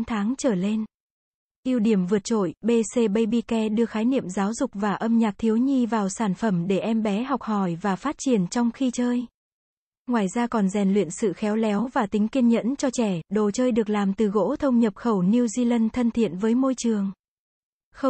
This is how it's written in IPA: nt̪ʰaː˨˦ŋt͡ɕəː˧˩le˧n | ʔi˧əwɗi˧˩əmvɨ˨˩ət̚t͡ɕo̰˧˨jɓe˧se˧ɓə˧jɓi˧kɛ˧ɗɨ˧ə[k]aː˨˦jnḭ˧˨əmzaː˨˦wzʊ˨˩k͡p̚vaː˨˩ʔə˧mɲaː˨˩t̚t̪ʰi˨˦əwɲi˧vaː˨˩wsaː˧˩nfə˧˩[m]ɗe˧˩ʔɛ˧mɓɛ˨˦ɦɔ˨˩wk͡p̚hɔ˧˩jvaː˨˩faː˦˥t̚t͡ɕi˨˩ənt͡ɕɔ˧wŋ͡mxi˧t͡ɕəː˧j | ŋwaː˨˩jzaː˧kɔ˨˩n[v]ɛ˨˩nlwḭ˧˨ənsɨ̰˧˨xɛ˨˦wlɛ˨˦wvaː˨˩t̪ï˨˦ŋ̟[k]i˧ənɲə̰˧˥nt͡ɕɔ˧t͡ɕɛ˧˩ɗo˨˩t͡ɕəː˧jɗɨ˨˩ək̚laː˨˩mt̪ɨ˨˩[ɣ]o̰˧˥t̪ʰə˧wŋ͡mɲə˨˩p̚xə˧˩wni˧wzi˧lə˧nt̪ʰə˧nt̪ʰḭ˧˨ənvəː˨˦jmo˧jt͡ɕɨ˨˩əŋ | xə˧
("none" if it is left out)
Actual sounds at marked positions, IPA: x, m, z, k, ɣ

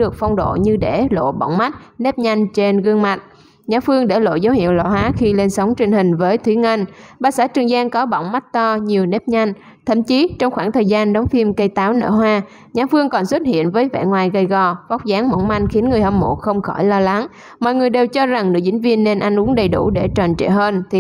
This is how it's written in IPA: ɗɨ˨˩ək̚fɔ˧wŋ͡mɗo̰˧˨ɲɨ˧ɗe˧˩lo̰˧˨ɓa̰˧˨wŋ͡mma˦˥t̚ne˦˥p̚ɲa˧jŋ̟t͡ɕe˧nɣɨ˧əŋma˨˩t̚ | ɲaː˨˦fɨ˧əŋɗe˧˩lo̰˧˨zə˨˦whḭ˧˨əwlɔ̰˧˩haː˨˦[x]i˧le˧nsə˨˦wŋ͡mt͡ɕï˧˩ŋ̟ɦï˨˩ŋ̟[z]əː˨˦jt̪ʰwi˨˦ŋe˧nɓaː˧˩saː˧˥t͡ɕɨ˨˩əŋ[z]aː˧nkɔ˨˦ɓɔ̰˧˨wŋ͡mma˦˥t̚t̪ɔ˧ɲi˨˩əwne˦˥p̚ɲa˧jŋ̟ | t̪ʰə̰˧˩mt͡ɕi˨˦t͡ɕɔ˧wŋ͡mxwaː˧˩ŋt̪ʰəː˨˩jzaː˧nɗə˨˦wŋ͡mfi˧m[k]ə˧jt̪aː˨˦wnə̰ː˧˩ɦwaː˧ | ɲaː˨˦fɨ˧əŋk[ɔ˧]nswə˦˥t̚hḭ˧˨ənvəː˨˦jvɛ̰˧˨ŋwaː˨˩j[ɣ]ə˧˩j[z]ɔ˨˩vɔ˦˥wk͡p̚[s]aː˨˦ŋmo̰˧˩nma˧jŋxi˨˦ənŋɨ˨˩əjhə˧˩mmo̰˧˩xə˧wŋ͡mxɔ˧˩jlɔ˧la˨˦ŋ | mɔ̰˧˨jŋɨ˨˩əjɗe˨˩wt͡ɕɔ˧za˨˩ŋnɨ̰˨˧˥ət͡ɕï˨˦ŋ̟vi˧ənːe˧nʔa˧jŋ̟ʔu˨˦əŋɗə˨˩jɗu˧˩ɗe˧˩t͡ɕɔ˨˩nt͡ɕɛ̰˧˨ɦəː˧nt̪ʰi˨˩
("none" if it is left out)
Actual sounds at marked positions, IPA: x, v, z, k, ɔ˨˩, ɣ, ɣ, z

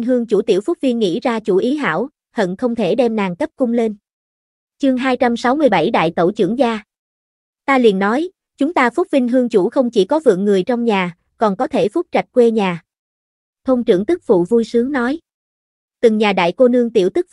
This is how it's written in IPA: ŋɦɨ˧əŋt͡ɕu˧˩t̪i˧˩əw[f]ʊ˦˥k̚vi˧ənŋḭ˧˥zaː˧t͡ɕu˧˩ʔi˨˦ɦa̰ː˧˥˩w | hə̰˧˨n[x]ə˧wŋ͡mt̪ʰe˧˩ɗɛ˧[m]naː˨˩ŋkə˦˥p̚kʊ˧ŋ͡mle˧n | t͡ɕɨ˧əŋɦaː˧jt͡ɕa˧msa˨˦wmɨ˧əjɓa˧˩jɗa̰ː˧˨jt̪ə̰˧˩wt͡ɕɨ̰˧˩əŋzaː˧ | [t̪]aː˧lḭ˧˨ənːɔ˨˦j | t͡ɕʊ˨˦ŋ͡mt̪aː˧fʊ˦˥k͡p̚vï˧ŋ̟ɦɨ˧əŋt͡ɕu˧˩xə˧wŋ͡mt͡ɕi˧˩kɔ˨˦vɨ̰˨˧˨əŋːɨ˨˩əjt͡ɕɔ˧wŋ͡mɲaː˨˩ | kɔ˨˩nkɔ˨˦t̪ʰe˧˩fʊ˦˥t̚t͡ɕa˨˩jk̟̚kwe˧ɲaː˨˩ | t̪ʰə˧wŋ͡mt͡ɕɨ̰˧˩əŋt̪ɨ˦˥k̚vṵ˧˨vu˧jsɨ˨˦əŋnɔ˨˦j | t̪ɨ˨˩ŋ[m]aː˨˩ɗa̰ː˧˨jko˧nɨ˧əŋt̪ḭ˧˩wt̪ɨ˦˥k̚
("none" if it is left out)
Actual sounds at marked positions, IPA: f, x, m, t̪, ɲ

